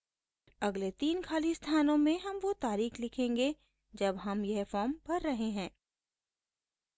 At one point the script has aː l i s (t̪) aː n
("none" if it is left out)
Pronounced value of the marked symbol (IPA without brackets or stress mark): t̪ʰ